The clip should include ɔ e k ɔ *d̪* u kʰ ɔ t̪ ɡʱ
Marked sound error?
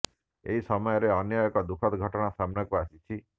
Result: no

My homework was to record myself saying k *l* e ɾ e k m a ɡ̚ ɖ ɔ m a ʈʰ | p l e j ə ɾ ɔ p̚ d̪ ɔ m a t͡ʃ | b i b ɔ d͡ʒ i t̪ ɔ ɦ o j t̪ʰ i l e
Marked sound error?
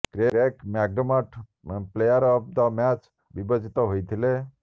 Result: yes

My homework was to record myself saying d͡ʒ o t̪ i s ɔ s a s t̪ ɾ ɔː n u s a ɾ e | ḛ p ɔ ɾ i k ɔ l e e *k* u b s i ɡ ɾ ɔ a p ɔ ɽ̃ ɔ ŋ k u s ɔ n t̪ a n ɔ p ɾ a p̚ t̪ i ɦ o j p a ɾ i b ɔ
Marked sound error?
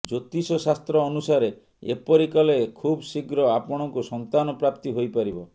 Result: yes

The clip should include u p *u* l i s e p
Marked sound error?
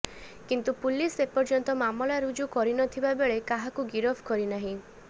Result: no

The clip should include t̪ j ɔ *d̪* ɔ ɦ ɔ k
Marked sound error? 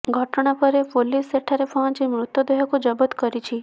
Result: no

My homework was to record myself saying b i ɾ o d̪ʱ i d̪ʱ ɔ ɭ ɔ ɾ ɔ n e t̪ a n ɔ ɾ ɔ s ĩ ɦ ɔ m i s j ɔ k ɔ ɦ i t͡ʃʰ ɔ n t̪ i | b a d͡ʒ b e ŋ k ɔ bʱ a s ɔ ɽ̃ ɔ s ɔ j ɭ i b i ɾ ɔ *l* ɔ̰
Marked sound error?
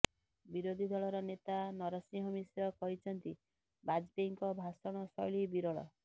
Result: yes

